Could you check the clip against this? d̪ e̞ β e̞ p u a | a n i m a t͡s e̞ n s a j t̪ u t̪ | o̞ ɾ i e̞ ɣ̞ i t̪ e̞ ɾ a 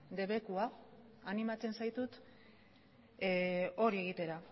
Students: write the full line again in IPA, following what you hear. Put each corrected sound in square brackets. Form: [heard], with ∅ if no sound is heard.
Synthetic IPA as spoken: d̪ e̞ β e̞ [k] u a | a n i m a t͡s e̞ n s a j t̪ u t̪ | o̞ ɾ i e̞ ɣ̞ i t̪ e̞ ɾ a